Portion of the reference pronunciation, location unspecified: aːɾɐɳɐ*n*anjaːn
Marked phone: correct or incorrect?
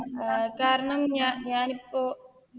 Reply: incorrect